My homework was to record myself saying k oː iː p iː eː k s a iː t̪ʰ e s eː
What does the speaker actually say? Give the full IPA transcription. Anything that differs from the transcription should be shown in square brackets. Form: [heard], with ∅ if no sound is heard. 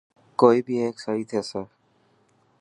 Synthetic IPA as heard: k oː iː [b] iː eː k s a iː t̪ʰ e s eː